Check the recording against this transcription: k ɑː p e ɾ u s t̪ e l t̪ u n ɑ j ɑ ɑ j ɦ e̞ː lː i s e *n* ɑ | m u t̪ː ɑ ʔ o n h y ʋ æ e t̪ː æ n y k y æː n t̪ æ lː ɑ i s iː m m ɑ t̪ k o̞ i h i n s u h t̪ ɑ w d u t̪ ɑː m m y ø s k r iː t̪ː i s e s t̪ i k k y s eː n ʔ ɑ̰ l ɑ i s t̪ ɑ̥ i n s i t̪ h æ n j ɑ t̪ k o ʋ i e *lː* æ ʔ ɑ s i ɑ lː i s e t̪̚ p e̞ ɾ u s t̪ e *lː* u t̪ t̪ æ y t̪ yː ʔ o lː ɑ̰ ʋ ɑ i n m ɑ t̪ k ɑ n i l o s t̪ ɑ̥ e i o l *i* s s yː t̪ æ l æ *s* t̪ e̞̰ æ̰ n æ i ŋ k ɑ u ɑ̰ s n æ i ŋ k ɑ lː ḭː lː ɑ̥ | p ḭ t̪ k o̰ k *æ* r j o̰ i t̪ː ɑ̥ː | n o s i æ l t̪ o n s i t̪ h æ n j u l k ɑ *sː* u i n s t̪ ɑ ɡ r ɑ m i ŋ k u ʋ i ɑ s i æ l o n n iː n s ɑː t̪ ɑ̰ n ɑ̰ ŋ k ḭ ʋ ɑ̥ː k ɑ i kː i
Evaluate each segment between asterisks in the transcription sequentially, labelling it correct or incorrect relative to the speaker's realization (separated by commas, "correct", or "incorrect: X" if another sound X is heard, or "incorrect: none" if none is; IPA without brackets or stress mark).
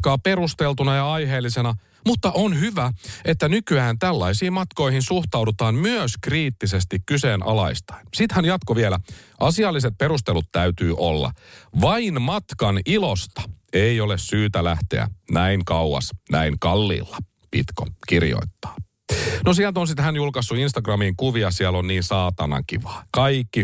correct, incorrect: l, incorrect: l, incorrect: e, incorrect: h, incorrect: i, correct